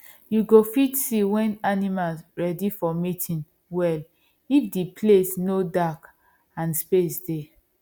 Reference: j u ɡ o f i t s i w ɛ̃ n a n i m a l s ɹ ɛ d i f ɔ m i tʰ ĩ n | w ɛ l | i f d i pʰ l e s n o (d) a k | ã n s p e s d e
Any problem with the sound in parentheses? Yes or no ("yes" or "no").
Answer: no